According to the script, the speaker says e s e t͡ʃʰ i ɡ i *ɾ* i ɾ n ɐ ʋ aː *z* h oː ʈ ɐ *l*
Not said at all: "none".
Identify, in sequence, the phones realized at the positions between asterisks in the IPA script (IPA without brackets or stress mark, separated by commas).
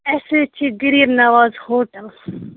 ɾ, z, l